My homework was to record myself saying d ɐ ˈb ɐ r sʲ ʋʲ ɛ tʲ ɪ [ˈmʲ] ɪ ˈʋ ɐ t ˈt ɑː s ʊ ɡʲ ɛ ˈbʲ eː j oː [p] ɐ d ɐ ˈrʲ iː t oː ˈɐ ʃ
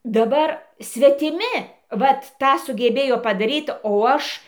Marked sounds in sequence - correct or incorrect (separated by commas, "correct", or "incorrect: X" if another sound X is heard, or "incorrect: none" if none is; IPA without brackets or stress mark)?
correct, correct